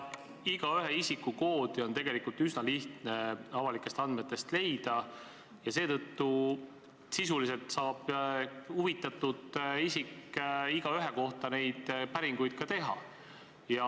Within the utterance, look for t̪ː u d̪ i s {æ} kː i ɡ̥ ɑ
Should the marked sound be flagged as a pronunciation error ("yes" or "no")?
yes